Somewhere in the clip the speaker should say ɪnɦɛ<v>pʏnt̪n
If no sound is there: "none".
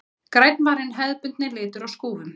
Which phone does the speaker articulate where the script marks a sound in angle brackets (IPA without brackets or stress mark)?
ð